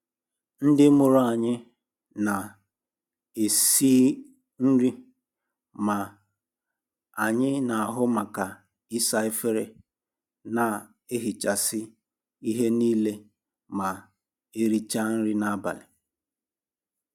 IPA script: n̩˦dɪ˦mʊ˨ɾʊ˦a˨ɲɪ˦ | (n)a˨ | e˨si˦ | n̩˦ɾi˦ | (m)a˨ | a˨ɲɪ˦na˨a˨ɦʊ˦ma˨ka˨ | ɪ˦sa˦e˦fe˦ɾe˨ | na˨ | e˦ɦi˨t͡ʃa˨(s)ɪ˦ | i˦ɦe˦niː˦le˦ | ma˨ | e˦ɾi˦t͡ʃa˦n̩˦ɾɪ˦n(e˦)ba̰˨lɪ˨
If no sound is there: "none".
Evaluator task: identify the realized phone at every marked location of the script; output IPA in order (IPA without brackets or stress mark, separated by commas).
n, m, s, a˦